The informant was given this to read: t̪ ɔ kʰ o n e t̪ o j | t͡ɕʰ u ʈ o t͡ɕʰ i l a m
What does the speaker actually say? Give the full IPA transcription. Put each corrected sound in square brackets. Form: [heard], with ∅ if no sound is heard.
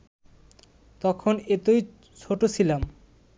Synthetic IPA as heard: t̪ ɔ kʰ o n e t̪ o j | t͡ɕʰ [o] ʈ o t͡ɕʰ i l a m